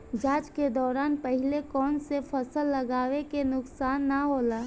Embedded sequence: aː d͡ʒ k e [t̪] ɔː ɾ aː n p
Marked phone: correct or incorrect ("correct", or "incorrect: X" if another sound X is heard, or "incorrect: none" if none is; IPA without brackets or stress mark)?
incorrect: d̪